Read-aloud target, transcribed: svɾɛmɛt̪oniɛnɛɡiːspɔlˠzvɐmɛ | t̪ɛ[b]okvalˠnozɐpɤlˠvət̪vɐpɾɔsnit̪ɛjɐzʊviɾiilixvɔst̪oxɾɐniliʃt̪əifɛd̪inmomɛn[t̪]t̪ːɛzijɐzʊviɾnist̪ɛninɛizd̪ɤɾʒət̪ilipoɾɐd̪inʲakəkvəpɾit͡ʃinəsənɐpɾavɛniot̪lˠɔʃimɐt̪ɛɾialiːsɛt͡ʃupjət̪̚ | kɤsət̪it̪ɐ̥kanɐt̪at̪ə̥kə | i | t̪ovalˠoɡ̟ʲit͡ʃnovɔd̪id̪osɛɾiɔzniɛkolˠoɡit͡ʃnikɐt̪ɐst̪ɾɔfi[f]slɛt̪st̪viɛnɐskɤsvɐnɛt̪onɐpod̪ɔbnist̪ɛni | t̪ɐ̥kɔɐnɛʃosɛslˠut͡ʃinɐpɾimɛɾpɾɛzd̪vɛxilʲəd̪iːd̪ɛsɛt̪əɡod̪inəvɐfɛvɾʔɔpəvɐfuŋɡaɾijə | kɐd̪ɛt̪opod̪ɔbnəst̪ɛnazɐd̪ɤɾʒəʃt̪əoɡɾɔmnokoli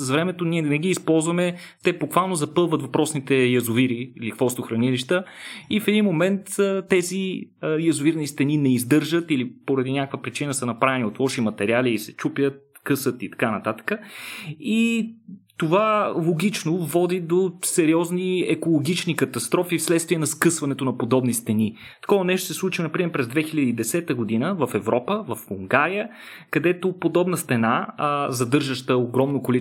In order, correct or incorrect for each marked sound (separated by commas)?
correct, correct, correct